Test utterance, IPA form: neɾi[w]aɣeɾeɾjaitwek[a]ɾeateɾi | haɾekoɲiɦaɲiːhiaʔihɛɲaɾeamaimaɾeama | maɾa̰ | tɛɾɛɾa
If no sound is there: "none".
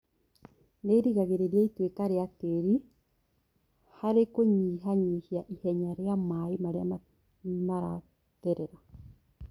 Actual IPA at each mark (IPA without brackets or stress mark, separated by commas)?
ɣ, a